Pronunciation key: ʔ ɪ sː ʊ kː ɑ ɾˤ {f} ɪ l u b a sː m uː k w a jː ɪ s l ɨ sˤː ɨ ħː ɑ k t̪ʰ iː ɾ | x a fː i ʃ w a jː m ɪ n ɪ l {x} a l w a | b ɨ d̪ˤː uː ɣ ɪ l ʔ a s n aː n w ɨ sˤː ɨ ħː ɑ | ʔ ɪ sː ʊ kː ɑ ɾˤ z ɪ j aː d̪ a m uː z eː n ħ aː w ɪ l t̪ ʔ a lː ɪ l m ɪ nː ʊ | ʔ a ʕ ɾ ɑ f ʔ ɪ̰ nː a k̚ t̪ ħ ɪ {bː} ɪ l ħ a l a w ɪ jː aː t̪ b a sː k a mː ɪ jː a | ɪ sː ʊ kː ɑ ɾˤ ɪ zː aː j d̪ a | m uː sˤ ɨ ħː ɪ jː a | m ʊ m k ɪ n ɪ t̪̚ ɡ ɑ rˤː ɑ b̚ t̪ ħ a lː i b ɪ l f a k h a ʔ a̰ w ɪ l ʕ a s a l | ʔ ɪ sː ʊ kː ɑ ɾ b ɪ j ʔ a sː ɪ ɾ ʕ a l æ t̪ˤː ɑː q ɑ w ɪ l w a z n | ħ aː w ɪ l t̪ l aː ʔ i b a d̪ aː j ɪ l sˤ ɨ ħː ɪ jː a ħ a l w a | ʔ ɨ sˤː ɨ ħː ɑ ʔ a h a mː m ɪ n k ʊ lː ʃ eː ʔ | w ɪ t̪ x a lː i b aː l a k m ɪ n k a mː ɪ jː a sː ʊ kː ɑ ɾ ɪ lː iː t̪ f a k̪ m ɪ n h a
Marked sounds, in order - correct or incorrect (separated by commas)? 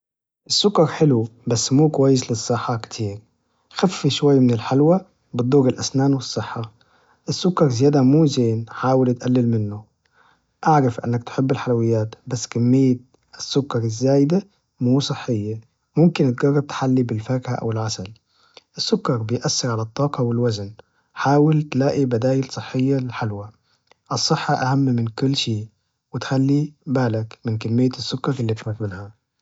incorrect, incorrect, correct